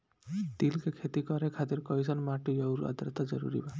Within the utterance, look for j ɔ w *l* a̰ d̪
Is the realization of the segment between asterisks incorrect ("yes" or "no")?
yes